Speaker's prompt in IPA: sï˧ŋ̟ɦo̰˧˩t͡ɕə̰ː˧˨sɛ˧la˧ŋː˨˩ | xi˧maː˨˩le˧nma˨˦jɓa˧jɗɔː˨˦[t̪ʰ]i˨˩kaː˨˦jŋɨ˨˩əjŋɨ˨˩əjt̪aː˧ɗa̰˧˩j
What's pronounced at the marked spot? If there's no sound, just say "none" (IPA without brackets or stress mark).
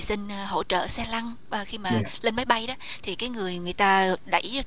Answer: t̪ʰ